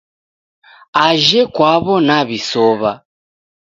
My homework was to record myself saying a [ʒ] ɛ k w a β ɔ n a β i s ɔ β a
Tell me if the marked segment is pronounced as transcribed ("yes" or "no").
yes